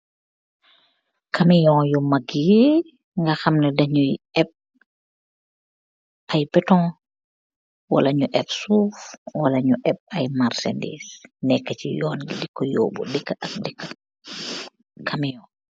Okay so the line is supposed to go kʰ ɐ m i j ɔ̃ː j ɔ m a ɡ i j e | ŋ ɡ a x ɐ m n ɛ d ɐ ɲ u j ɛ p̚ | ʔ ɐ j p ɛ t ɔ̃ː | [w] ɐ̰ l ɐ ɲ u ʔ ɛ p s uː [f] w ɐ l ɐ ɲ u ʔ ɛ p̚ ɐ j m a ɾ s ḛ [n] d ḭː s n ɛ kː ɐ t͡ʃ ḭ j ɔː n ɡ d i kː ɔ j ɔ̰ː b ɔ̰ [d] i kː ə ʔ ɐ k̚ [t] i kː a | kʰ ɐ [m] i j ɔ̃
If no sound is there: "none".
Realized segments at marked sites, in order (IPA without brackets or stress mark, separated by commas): w, f, n, d, d, m